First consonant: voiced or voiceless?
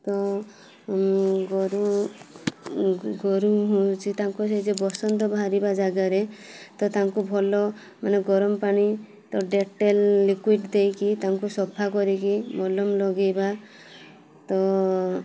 voiceless